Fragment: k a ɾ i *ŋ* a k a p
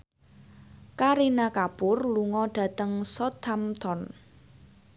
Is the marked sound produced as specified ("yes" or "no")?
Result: no